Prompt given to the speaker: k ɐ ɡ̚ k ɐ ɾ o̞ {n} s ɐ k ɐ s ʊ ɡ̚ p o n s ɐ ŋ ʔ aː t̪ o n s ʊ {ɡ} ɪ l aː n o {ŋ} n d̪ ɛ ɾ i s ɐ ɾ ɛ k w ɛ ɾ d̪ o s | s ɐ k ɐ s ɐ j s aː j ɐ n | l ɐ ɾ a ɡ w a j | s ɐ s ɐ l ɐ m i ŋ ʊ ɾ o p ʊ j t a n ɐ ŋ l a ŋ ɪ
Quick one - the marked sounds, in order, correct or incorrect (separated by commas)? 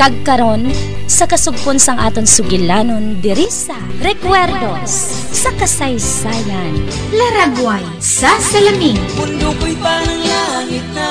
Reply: correct, correct, incorrect